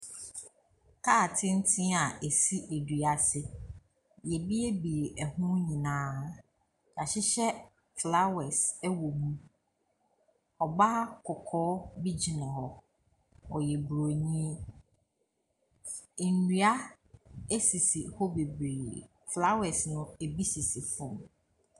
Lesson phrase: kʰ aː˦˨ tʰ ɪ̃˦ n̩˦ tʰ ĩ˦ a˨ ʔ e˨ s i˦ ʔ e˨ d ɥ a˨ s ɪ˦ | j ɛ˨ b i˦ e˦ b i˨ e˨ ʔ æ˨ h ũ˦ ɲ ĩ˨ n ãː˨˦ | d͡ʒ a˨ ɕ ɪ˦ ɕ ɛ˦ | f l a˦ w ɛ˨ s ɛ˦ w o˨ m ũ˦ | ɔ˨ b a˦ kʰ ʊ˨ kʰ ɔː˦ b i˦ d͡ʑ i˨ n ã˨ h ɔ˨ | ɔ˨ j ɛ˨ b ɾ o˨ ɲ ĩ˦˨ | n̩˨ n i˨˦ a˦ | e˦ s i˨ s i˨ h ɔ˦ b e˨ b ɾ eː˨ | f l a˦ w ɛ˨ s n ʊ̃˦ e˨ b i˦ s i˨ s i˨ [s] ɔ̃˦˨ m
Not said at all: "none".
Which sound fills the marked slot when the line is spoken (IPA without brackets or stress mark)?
f